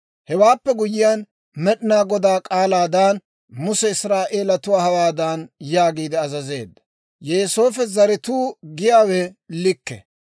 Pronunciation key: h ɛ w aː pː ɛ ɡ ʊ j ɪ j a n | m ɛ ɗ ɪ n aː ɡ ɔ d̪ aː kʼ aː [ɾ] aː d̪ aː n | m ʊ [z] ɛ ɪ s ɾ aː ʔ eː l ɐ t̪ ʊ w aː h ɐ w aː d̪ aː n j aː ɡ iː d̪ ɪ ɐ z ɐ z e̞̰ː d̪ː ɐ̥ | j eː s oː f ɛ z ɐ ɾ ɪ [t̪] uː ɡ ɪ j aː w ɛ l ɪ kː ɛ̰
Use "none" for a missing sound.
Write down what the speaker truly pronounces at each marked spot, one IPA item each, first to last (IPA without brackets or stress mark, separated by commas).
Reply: l, s, t̪